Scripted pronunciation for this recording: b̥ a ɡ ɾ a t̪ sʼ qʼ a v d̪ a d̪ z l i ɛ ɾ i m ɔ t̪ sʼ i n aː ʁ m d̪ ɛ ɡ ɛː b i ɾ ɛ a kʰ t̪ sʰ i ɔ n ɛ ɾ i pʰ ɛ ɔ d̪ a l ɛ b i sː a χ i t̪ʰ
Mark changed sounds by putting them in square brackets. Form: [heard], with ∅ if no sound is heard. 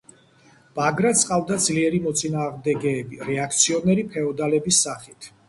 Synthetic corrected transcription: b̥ a ɡ ɾ a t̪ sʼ qʼ a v d̪ a d̪ z l i ɛ ɾ i m ɔ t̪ sʼ i n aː ʁ m d̪ ɛ ɡ ɛː b i ɾ ɛ a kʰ t̪ sʰ i ɔ n ɛ ɾ i pʰ ɛ ɔ d̪ a l ɛ b i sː a χ i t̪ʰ